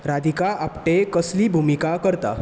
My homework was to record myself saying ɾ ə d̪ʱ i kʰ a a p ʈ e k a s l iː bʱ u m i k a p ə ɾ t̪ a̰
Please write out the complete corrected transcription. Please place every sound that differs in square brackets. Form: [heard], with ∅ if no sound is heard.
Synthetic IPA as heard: ɾ [a] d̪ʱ i [k] a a p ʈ e k [ə] s l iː bʱ u m i k a [k] ə ɾ t̪ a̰